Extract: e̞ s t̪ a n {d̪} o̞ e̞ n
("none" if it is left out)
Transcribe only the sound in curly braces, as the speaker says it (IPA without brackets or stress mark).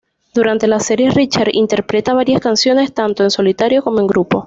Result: t̪